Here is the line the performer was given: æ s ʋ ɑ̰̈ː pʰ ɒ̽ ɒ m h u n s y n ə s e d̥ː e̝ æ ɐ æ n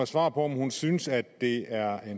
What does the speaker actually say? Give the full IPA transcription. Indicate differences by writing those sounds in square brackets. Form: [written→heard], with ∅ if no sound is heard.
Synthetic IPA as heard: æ s ʋ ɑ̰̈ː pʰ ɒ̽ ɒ m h u n s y n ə s [e→æ] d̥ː e̝ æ ɐ [æ→e] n